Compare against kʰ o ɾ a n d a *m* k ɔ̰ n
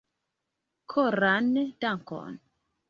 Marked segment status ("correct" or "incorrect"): incorrect